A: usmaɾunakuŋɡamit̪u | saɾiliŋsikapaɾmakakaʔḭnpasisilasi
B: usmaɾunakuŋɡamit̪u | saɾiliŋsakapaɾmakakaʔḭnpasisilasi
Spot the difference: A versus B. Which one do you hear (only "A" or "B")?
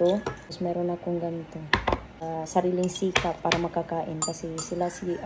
A